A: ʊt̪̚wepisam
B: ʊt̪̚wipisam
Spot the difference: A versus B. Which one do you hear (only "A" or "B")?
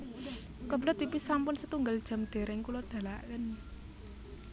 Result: B